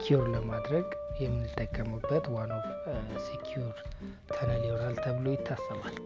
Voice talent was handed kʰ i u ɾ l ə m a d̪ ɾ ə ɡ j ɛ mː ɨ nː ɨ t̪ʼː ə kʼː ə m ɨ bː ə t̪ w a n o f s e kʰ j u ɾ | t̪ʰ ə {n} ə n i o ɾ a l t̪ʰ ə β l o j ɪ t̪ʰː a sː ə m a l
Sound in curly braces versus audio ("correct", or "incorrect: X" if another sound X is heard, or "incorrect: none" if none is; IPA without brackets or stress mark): correct